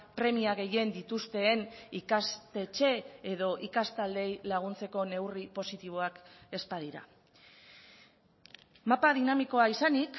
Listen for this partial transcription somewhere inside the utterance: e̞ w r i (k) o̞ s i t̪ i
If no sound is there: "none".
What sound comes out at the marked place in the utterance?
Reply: p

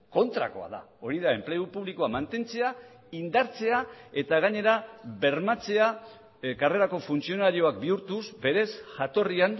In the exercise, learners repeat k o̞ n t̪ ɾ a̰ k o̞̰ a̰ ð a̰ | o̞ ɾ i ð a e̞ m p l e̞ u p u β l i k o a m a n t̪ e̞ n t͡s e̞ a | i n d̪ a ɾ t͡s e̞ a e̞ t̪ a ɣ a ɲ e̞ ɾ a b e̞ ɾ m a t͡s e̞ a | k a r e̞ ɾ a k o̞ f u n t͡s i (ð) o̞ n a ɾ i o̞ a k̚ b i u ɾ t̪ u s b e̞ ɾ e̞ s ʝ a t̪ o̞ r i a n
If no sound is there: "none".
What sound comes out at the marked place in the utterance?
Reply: none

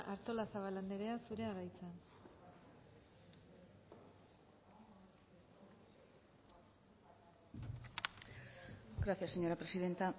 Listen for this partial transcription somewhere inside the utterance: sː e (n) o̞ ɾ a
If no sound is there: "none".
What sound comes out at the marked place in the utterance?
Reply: ɲ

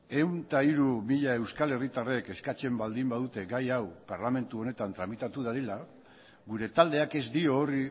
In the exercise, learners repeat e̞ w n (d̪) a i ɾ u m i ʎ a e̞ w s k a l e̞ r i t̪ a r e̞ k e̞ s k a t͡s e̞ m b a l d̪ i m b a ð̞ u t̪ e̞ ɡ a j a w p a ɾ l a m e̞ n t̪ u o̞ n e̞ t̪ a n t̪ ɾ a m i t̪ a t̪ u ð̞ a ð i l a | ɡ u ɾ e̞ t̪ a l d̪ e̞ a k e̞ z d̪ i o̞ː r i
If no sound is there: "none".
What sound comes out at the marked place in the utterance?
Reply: t̪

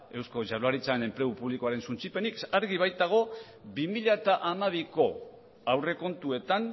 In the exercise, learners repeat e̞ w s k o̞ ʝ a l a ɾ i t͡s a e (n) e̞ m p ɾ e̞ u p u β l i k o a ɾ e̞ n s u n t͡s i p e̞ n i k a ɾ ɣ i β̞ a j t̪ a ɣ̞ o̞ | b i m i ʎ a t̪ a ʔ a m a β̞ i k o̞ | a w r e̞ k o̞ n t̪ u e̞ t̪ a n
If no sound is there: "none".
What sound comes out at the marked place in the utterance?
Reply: n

